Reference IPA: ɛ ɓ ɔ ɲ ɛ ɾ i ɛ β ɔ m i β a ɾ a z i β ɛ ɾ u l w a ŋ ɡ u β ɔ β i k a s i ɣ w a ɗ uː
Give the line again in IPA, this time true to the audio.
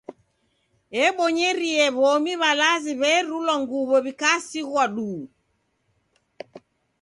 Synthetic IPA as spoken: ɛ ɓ ɔ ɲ ɛ ɾ i ɛ β ɔ m i β a l a z i β ɛ ɾ u l w a ŋ ɡ u β ɔ β i k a s i ɣ w a ɗ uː